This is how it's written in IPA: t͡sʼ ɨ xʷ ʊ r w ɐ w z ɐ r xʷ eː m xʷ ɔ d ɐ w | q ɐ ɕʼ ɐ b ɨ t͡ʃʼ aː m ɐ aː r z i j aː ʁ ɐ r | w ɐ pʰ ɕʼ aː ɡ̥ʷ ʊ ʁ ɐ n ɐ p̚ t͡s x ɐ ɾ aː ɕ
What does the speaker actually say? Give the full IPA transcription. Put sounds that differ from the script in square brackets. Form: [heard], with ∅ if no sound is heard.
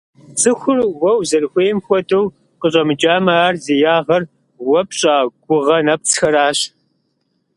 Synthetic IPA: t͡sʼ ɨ xʷ ʊ r w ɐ w z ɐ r xʷ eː m xʷ ɔ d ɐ w | q [ə] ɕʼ ɐ [m] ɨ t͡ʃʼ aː m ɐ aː r z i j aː ʁ ɐ r | w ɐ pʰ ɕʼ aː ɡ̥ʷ ʊ ʁ ɐ n ɐ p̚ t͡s x ɐ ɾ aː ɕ